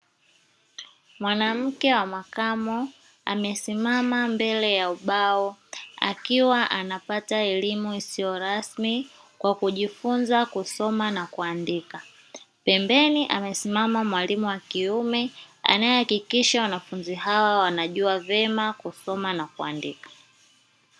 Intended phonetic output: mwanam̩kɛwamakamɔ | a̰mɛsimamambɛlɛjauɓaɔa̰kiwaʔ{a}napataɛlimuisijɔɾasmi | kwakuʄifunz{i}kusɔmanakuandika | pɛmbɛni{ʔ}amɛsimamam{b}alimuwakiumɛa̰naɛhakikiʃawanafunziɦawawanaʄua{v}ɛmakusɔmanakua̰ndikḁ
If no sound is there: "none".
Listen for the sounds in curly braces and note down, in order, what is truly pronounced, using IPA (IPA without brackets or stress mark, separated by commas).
a, a, ʔ, w, v